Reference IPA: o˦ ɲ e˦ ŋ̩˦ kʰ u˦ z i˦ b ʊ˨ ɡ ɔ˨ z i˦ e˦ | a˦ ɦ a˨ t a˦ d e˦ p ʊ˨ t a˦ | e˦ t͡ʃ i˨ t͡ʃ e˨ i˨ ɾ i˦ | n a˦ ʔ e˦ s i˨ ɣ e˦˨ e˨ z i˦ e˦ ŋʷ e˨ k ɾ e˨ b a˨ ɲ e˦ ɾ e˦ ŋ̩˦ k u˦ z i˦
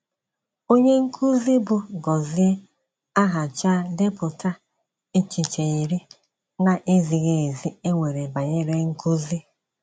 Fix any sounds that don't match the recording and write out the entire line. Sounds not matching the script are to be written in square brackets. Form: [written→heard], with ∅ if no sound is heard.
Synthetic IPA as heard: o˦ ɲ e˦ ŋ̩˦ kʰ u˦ z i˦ b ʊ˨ ɡ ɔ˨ z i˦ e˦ | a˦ ɦ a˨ [t→t͡ʃ] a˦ d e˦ p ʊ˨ t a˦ | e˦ t͡ʃ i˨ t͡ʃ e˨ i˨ ɾ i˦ | n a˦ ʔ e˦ [s→z] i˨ ɣ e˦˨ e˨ z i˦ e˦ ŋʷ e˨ [k→∅] ɾ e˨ b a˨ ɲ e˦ ɾ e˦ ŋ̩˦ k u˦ z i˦